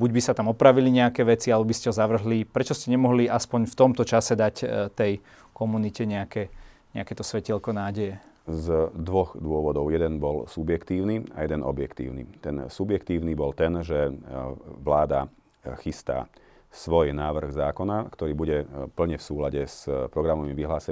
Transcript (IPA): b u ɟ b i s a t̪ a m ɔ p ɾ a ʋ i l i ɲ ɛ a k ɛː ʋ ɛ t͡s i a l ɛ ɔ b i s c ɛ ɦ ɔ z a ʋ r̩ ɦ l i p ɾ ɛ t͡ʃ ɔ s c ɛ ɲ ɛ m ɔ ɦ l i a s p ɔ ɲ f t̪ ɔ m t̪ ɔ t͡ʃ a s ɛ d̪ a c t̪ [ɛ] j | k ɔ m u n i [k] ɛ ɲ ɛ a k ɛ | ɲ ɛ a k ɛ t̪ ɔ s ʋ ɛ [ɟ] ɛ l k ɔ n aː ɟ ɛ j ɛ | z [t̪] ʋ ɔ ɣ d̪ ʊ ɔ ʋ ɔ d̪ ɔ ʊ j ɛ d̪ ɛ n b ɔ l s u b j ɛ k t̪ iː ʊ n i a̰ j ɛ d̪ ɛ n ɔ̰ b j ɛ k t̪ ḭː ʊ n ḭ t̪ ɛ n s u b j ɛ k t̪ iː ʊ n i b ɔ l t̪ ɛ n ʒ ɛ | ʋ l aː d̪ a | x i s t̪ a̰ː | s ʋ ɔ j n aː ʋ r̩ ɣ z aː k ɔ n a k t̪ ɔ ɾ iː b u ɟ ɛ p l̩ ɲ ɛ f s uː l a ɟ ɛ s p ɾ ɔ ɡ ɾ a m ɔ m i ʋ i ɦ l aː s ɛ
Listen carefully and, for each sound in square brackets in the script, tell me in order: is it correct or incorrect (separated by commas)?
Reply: correct, incorrect, incorrect, incorrect